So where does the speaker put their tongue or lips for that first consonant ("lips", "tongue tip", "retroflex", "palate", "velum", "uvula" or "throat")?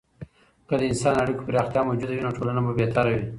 velum